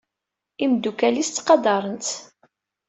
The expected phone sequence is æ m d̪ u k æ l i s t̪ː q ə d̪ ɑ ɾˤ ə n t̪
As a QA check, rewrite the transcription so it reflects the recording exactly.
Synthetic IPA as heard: i m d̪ u k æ l i s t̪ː q ɑ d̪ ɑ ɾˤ ə n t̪